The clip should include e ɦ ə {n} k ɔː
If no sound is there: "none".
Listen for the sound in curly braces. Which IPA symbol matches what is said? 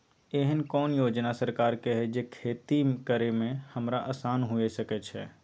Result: n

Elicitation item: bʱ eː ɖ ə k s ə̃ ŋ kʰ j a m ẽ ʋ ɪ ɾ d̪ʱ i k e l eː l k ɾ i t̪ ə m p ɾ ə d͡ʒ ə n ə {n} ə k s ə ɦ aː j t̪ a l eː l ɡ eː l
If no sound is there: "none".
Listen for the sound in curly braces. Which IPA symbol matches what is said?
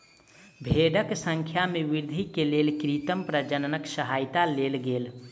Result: n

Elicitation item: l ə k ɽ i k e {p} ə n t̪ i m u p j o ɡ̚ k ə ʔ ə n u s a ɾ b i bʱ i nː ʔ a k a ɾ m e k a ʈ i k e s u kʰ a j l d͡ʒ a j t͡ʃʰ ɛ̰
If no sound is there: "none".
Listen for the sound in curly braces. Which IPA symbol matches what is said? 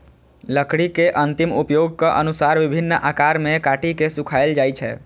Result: ʔ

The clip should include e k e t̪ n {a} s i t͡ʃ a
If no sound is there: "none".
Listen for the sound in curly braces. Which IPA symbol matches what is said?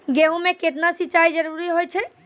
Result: a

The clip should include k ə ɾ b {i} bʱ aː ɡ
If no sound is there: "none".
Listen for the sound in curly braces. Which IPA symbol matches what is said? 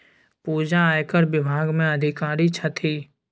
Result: ɪ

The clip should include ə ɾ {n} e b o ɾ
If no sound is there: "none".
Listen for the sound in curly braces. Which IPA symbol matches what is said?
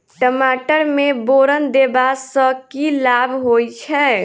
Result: m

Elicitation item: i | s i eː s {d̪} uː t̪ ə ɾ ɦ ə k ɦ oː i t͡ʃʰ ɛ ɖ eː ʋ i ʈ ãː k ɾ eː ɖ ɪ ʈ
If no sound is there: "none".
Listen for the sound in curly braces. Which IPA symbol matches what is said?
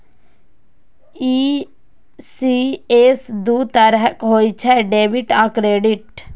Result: d̪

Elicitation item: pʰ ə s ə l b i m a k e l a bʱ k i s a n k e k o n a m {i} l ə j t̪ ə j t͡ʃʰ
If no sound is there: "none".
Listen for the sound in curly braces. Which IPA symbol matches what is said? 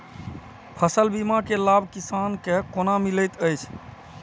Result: i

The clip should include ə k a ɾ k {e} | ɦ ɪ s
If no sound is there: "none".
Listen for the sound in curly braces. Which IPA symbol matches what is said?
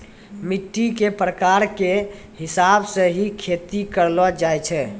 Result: e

